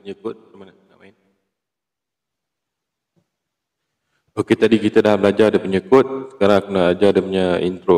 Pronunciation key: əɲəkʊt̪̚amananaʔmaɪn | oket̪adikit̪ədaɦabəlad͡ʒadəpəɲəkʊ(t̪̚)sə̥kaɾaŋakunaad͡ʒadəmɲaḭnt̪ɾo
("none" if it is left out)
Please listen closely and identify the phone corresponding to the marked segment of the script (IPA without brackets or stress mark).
t̪̚